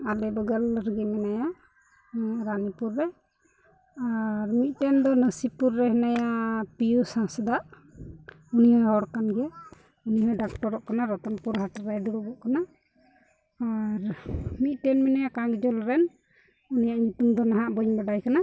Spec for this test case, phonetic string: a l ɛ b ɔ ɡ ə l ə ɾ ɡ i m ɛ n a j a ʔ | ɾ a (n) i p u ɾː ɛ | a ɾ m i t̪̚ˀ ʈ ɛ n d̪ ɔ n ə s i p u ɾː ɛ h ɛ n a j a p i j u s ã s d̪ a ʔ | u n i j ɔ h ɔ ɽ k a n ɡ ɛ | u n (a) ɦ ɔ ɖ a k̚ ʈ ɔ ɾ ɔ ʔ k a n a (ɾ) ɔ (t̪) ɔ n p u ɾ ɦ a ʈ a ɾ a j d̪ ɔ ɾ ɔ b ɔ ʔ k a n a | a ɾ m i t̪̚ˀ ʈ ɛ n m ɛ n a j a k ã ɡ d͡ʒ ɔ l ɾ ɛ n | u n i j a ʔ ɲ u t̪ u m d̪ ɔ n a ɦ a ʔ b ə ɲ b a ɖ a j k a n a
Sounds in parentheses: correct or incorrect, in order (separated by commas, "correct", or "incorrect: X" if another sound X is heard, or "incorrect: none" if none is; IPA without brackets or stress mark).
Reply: correct, incorrect: i, correct, correct